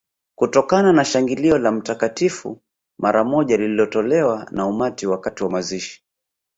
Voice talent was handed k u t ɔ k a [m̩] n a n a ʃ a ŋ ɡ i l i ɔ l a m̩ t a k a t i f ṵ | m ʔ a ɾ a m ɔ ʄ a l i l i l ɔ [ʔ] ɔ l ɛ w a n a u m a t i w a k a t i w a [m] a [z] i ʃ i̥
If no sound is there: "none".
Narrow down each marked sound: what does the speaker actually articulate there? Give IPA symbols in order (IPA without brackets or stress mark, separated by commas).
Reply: none, t, m, z